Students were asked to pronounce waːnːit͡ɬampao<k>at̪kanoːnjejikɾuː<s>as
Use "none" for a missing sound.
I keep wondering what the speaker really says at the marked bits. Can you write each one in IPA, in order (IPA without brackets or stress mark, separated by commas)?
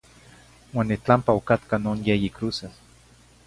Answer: k, s